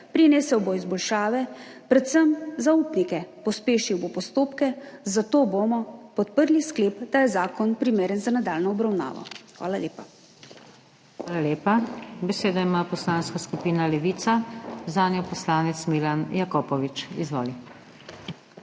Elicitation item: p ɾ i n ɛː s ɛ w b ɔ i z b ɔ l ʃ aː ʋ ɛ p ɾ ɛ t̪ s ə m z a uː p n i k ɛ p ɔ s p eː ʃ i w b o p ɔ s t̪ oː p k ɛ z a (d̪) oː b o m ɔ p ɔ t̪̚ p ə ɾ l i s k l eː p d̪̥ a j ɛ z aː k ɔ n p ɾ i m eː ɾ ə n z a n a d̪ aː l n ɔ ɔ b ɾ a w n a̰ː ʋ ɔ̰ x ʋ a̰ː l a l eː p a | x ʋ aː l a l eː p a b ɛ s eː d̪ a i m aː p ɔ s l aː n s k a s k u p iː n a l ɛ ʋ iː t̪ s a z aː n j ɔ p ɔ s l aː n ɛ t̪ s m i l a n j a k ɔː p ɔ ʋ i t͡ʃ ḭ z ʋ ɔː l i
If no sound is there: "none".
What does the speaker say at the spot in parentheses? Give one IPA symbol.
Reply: t̪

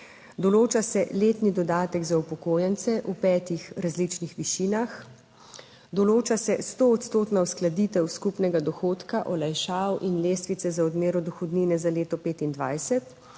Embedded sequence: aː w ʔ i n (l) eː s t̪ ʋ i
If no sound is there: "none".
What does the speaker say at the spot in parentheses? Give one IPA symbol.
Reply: l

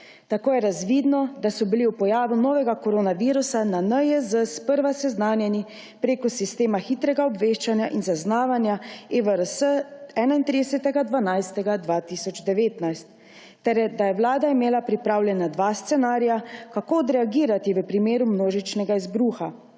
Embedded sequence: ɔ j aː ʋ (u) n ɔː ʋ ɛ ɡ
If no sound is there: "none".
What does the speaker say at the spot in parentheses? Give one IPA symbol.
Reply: u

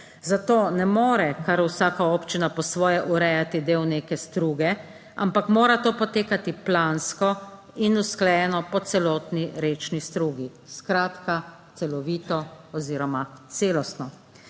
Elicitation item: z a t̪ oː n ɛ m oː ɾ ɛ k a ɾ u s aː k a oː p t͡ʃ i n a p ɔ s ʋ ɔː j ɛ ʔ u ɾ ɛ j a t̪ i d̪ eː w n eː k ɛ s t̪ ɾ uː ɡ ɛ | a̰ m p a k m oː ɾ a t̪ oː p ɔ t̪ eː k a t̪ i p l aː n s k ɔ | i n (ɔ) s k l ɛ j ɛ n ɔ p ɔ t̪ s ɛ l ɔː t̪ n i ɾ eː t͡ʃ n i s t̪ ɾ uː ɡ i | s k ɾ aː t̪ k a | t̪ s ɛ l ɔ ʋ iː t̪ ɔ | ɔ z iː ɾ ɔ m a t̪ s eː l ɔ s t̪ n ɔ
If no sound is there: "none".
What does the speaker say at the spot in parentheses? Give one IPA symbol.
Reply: u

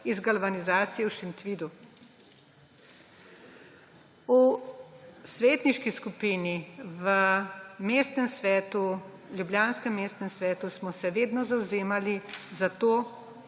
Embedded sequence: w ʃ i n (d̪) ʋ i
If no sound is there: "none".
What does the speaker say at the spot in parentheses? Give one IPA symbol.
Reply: t̪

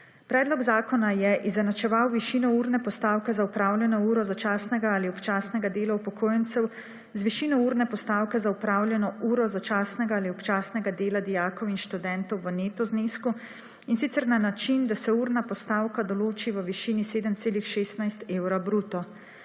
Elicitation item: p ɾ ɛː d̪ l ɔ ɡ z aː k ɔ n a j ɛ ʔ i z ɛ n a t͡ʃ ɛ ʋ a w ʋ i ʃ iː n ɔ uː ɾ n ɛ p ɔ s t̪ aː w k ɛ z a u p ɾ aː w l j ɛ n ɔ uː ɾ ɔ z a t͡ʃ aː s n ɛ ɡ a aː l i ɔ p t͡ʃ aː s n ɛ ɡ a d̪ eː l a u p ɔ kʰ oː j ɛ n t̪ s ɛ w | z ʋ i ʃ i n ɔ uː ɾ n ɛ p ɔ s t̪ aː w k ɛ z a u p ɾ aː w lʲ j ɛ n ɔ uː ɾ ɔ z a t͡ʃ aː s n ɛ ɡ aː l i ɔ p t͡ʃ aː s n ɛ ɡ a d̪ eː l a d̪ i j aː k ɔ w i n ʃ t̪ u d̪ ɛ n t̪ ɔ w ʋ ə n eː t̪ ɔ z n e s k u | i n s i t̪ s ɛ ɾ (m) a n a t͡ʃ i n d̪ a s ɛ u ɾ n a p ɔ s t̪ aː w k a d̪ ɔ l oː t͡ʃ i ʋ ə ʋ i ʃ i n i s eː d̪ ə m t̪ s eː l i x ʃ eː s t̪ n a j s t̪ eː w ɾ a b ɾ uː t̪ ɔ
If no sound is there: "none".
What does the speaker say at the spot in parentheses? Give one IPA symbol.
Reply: n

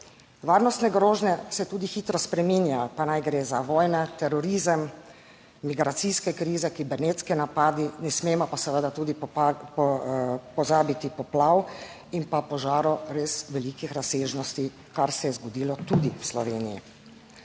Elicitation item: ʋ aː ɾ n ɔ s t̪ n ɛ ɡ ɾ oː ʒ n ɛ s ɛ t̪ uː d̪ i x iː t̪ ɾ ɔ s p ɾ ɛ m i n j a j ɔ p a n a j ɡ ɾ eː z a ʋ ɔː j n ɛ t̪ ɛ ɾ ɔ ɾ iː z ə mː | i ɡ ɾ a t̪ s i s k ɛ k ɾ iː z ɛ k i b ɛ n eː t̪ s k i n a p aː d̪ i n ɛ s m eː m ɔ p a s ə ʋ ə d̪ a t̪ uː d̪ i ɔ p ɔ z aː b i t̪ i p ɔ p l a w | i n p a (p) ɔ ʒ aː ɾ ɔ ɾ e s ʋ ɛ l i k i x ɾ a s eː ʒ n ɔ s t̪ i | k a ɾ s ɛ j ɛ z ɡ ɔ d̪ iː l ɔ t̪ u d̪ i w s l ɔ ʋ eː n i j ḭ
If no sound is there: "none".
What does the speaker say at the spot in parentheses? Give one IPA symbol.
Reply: p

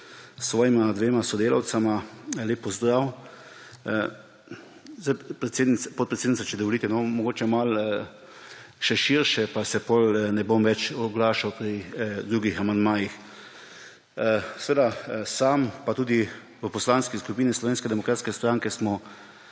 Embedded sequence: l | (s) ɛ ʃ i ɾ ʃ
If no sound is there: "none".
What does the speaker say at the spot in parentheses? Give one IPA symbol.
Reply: ʃ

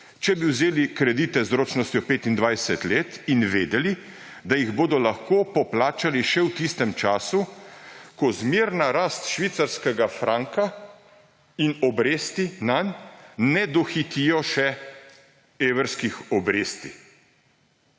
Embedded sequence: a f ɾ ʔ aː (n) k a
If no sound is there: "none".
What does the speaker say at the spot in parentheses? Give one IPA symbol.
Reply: ŋ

